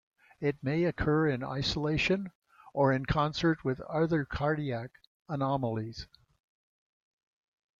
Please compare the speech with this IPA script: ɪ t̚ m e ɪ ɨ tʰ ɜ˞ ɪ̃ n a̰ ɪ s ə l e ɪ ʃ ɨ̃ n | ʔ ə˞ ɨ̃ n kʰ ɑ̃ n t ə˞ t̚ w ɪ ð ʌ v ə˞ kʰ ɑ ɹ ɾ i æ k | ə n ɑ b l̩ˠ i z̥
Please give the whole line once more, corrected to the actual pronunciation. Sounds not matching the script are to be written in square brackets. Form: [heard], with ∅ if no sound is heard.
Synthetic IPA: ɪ t̚ m e ɪ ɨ [kʰ] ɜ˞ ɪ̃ n a̰ ɪ s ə l e ɪ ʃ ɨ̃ n | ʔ ə˞ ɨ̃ n kʰ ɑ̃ n [s] ə˞ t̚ w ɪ ð ʌ [ð] ə˞ kʰ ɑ ɹ ɾ i æ k | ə n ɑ [m] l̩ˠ i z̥